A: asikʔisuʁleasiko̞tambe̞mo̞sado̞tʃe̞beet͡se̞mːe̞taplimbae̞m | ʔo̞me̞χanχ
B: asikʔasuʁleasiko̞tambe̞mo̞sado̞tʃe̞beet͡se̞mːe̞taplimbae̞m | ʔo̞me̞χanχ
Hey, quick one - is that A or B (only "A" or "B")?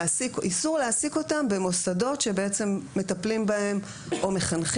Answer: A